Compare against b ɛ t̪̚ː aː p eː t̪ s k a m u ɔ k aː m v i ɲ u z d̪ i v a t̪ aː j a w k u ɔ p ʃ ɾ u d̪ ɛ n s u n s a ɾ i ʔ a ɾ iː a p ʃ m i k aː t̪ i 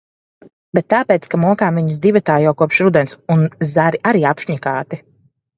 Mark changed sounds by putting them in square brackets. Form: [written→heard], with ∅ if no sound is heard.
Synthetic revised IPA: b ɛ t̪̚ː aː p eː t̪ s k a m u ɔ k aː m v i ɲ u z d̪ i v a t̪ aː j a w k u ɔ p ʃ ɾ u d̪ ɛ n s u n [s→z] a ɾ i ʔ a ɾ iː a p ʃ [m→ɲ] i k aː t̪ i